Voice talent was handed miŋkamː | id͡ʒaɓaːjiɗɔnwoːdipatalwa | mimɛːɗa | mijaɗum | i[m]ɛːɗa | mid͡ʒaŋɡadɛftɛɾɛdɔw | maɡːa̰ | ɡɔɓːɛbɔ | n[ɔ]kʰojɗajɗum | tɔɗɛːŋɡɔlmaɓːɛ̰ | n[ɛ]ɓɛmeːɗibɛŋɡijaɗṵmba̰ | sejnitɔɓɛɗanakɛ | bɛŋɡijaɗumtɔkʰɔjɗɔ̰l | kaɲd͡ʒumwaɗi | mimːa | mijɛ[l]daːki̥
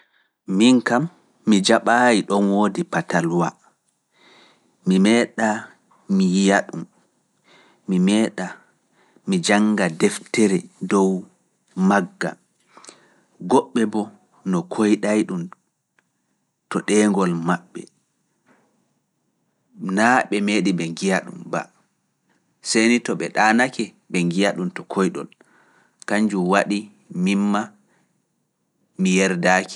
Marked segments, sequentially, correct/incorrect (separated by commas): correct, correct, incorrect, incorrect